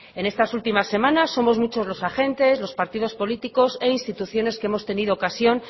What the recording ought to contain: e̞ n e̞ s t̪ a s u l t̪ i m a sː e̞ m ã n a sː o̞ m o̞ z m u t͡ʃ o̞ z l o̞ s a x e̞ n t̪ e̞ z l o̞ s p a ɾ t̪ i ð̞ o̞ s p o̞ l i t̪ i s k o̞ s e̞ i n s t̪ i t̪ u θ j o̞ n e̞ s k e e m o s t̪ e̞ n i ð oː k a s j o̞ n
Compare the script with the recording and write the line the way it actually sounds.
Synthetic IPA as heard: e̞ n e̞ s t̪ a s u l t̪ i m a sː e̞ m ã n a sː o̞ m o̞ z m u t͡ʃ o̞ z l o̞ s a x e̞ n t̪ e̞ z l o̞ s p a ɾ t̪ i ð̞ o̞ s p o̞ l i t̪ i k o̞ s e̞ i n s t̪ i t̪ u θ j o̞ n e̞ s k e e m o s t̪ e̞ n i ð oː k a s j o̞ n